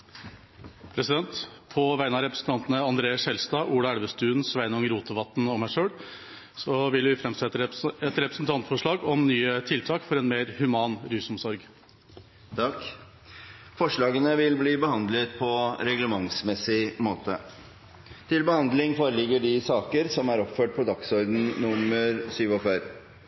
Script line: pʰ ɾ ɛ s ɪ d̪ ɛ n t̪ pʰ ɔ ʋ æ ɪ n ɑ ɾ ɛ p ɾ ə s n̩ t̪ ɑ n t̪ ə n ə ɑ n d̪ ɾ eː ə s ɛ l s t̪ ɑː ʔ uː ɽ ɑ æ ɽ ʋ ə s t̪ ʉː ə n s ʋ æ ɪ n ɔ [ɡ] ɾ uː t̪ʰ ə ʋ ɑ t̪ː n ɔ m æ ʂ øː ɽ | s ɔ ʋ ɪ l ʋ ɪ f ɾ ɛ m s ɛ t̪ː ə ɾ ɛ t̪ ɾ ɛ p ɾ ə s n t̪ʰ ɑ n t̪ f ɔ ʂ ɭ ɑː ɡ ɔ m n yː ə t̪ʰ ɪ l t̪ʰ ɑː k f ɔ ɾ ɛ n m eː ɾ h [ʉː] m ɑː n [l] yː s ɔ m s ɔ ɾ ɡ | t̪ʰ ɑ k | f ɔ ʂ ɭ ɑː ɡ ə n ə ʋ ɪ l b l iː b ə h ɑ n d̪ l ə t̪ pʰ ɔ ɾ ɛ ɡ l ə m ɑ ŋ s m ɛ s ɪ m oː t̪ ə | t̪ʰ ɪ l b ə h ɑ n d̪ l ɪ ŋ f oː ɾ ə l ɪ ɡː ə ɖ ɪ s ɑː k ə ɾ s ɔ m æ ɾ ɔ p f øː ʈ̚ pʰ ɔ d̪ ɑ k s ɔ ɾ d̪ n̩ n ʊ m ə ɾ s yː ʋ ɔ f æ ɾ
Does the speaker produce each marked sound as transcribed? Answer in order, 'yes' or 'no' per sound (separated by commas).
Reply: no, no, no